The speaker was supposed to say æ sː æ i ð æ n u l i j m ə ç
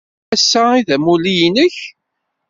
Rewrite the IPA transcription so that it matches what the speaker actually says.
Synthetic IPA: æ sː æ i ð æ m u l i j n ə ç